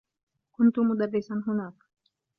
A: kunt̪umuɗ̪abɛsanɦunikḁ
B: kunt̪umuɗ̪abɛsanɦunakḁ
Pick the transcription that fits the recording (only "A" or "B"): B